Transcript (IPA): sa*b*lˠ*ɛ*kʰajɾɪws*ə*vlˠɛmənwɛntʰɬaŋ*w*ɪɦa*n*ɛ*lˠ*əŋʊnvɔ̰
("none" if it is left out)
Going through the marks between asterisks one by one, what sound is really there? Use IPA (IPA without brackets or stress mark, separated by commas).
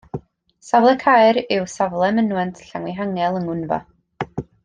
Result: v, ɛ, a, w, ŋ, lˠ